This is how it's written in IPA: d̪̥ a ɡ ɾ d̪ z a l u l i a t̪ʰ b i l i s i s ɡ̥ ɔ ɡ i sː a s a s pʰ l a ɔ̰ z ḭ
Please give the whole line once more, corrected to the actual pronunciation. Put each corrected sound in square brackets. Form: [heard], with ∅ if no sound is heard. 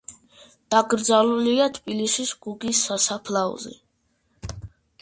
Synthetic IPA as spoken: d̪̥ a ɡ ɾ d̪ z a l u l i a t̪ʰ b i l i s i s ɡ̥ [u] ɡ i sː a s a [∅] pʰ l a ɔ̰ z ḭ